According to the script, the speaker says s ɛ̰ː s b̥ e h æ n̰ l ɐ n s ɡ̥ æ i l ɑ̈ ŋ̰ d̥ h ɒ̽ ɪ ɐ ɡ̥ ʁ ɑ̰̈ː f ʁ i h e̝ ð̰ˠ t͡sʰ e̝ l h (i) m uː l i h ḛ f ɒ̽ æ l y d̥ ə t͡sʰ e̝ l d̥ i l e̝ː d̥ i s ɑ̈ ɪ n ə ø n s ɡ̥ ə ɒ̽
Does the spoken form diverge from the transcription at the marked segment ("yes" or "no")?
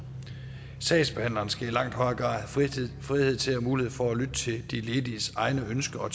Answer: yes